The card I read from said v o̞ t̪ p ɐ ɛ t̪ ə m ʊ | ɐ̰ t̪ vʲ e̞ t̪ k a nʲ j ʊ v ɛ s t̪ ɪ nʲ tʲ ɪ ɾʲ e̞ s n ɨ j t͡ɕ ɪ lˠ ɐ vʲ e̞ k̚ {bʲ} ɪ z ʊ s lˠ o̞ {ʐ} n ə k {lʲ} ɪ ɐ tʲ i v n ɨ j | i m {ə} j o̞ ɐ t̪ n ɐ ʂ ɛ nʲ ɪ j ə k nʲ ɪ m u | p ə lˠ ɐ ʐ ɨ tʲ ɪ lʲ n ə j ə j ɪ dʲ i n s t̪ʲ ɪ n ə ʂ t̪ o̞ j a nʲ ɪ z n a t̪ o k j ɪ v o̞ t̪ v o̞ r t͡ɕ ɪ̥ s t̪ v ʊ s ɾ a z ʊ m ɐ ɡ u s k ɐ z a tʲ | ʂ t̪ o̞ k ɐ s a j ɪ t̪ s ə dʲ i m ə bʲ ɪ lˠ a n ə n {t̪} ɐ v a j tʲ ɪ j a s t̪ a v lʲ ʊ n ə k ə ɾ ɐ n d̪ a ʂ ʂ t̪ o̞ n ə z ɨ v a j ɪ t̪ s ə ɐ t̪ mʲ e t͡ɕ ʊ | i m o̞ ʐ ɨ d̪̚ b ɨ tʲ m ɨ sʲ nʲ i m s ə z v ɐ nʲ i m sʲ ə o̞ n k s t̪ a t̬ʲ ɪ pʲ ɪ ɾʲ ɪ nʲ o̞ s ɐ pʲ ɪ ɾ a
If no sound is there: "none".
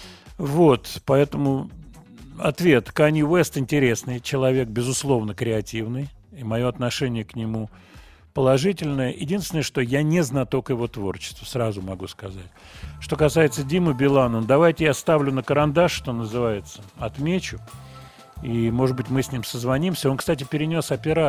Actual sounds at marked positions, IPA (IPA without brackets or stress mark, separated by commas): bʲ, v, ɾʲ, ɐ, d̪